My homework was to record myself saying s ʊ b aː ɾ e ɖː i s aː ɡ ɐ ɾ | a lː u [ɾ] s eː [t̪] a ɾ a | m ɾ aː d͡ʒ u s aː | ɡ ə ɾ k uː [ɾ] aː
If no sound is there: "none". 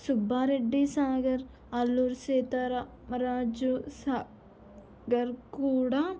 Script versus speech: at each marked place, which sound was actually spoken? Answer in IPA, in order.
ɾ, t̪, ɽ

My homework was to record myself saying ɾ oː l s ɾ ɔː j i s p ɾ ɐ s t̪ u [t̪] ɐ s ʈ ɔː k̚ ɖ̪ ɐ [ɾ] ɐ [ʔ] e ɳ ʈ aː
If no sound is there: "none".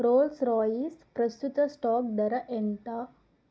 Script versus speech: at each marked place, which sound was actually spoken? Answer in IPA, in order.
t̪, ɾ, ʔ

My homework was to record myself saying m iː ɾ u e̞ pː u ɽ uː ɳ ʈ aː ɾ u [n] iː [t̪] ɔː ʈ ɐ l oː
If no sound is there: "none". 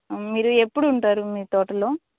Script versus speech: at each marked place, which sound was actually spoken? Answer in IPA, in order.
m, t̪

